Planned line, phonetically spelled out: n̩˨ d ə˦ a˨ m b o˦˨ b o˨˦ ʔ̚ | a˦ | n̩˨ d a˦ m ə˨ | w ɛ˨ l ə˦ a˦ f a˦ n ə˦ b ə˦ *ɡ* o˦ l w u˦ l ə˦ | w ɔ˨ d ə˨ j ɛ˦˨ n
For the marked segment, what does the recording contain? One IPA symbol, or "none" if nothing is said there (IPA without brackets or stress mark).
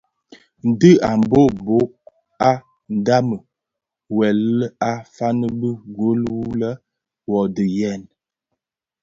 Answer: ɡ